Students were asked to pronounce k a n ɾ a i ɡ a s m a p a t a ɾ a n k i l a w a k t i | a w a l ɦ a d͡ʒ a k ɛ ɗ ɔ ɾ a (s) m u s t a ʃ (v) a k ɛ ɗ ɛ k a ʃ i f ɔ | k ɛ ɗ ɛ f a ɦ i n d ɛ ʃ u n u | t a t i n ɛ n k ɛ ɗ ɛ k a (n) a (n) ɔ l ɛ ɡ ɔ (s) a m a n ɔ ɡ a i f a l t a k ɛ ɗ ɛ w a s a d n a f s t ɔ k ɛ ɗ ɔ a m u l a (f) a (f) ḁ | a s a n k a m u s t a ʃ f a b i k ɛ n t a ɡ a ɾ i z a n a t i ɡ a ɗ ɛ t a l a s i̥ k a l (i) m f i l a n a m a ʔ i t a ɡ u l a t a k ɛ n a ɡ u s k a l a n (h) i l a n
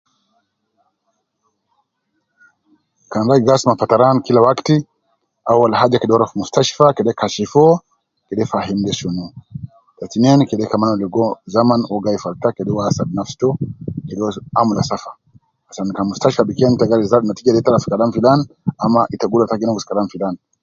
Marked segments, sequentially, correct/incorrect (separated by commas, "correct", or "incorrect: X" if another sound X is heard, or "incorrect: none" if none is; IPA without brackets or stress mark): incorrect: f, incorrect: f, incorrect: m, correct, incorrect: z, incorrect: s, correct, incorrect: a, incorrect: f